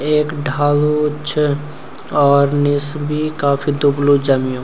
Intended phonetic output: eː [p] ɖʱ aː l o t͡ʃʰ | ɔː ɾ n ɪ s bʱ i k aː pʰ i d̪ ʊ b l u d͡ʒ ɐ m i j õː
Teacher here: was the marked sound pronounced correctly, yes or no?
no